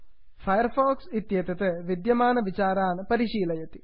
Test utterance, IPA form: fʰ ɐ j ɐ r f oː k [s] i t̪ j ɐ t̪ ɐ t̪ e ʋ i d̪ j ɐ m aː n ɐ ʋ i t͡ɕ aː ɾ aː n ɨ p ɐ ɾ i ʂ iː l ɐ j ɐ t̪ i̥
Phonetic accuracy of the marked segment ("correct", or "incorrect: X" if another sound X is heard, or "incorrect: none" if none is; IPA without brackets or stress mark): correct